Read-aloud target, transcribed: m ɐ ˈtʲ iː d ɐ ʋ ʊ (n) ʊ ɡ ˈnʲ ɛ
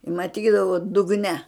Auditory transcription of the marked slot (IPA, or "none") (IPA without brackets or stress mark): d